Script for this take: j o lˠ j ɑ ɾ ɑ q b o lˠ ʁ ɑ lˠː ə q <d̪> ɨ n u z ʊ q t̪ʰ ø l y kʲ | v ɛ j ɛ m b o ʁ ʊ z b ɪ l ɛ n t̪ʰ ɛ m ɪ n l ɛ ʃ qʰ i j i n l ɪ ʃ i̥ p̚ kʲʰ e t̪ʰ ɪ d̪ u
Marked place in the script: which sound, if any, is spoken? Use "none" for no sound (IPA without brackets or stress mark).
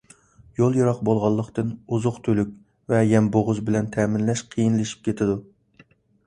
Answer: t̪